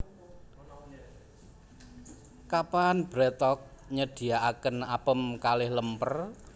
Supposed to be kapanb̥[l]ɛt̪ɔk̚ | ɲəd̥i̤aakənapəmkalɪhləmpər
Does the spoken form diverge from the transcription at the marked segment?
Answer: yes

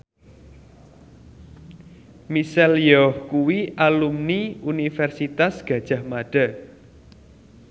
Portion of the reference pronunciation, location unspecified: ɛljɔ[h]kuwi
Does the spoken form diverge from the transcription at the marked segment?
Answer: no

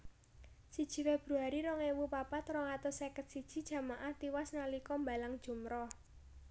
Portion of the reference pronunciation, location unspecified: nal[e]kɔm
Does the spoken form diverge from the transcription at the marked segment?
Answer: yes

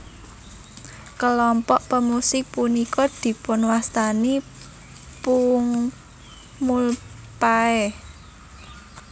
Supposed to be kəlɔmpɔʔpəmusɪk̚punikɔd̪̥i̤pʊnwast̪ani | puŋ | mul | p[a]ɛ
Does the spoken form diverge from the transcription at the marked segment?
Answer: no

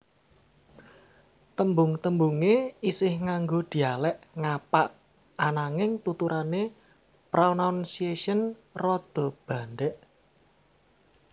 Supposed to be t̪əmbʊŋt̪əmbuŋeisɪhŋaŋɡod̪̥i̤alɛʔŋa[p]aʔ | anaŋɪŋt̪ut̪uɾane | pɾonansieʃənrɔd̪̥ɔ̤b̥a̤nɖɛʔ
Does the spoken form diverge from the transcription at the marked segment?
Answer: no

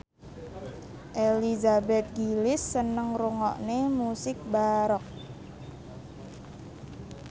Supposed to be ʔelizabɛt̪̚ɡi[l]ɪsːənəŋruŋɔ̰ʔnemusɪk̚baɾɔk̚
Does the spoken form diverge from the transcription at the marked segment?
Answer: no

